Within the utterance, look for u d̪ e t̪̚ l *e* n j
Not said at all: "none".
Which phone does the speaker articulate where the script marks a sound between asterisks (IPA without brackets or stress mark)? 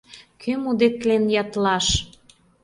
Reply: e